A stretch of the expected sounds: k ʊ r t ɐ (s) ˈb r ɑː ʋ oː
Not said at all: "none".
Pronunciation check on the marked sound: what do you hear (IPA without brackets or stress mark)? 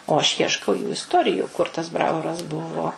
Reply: s